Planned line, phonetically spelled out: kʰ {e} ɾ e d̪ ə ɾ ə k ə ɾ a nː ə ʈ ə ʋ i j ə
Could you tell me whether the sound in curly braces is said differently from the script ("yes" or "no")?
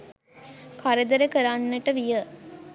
yes